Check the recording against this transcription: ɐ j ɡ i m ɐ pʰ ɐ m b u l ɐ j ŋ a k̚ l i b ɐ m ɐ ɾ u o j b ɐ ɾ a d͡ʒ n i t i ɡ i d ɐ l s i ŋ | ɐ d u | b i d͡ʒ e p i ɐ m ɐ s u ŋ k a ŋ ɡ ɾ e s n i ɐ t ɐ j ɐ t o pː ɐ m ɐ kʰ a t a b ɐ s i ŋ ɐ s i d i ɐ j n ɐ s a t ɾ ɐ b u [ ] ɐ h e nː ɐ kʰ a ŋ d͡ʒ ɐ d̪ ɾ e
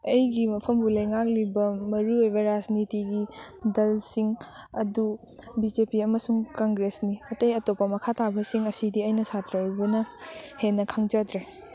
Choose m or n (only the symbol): n